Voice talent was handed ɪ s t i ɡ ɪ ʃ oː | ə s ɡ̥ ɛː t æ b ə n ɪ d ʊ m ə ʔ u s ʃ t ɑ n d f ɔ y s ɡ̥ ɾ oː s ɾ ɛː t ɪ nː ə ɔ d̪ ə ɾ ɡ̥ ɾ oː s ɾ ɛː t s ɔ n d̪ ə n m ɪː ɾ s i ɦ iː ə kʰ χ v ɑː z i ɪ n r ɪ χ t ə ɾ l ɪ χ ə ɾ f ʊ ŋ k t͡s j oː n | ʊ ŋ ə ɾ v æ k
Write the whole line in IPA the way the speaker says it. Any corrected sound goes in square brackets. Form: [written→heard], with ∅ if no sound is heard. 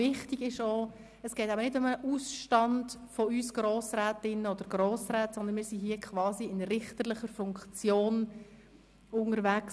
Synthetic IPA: ɪ [s→χ] t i ɡ ɪ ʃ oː | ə s ɡ̥ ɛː t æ b ə n ɪ d ʊ m ə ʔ u s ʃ t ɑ n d f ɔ y s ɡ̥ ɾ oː s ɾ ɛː t ɪ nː ə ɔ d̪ ə ɾ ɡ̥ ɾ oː s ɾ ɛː t s ɔ n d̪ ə n m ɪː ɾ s i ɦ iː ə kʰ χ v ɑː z i ɪ n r ɪ χ t ə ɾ l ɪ χ ə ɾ f ʊ ŋ k t͡s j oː n | ʊ ŋ ə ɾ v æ k

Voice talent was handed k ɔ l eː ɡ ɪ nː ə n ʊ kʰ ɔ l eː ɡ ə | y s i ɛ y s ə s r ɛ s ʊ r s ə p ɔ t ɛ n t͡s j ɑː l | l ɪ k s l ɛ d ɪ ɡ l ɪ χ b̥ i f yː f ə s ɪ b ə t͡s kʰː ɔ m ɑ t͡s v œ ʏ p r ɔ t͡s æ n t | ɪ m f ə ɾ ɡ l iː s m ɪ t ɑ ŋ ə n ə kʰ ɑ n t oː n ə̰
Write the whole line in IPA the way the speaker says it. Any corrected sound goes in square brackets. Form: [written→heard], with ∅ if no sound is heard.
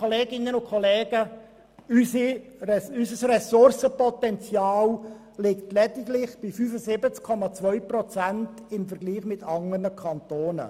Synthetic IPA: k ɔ l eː ɡ ɪ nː ə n ʊ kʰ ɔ l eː ɡ ə | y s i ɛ y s ə s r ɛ s ʊ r s ə p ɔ t ɛ n t͡s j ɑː l | l ɪ k [s→t] l ɛ d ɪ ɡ l ɪ χ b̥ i f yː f ə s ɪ b ə t͡s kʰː ɔ m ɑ t͡s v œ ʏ p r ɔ t͡s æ n t | ɪ m f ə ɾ ɡ l iː [s→χ] m ɪ t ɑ ŋ ə n ə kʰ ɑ n t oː n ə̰

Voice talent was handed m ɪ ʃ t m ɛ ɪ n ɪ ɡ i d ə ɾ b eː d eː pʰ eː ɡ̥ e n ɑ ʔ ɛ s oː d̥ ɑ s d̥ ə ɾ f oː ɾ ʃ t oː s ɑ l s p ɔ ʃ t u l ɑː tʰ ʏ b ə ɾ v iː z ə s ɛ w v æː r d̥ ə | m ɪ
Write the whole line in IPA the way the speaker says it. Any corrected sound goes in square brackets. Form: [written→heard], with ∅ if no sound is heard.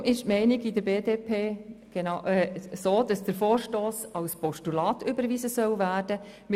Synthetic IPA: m ɪ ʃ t m ɛ ɪ n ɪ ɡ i d ə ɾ b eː d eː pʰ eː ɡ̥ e n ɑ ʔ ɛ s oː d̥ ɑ s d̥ ə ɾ f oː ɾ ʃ t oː s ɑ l s p ɔ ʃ t u l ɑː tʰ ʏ b ə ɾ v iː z ə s [ɛ→œ] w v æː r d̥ ə | m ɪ

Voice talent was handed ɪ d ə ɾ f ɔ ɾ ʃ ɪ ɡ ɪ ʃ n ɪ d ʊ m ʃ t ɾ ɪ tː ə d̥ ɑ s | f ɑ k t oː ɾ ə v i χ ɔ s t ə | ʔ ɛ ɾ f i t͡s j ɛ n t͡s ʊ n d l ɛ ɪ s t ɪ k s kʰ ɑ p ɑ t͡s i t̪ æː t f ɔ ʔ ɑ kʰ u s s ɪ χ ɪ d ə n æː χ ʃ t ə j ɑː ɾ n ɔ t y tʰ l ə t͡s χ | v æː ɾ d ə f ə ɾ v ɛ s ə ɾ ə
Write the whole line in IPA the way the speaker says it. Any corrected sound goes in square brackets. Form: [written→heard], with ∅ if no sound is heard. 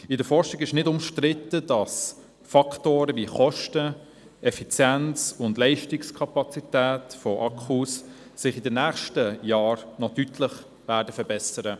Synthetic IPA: ɪ d ə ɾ f ɔ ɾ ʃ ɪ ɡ ɪ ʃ n ɪ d ʊ m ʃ t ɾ ɪ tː ə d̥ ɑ s | f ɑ k t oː ɾ ə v i χ ɔ [s→ʃ] t ə | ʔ ɛ [ɾ→∅] f i t͡s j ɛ n t͡s ʊ n d l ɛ ɪ [s→ʃ] t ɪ k s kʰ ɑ p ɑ t͡s i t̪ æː t f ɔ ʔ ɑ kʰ u s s ɪ χ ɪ d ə n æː χ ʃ t ə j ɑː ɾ n ɔ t y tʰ l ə [t͡s→∅] χ | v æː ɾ d ə f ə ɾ [v→b] ɛ s ə ɾ ə

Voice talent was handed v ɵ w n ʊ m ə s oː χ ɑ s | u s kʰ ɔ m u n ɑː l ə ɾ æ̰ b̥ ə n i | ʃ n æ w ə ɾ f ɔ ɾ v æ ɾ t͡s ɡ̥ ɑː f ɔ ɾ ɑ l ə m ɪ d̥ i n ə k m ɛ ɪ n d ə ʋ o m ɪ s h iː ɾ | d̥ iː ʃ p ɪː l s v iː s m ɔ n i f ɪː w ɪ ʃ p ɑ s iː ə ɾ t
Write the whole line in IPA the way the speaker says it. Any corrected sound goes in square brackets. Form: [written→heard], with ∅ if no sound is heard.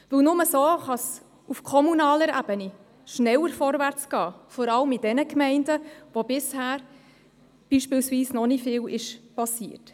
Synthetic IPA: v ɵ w n ʊ m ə s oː χ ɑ s | u [s→f] kʰ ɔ m u n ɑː l ə ɾ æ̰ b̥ ə n i | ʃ n [æ→ɛ] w ə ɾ f ɔ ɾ v æ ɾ t͡s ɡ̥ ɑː f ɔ ɾ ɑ l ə m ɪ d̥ [i→ɛ] n ə k m ɛ ɪ n d ə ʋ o [m→b] ɪ s h [iː→æː] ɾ | [d̥→b̥] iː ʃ p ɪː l s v iː s [m→n] ɔ n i f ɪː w ɪ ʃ p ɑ s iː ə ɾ t

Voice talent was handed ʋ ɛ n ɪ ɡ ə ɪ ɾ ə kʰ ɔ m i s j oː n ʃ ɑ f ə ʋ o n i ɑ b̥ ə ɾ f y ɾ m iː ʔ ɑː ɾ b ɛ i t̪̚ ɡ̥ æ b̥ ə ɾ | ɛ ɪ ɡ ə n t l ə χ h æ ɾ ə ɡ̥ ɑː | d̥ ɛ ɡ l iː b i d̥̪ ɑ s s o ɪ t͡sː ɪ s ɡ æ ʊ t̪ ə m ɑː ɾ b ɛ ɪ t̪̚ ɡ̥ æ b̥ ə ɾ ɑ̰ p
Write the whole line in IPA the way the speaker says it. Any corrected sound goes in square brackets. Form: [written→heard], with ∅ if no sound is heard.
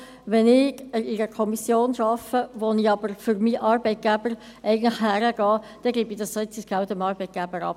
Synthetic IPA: ʋ ɛ n ɪ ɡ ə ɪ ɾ ə kʰ ɔ m i s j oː n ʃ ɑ f ə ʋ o n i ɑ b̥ ə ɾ f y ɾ m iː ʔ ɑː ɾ b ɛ [i→ɪ] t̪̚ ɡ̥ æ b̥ ə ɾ | ɛ ɪ ɡ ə n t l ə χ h æ ɾ ə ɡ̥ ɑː | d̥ ɛ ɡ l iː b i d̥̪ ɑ s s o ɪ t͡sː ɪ s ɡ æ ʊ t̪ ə m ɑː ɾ b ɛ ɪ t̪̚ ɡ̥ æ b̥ ə ɾ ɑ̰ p

